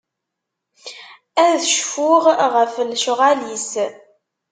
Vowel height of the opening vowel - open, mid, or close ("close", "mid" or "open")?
open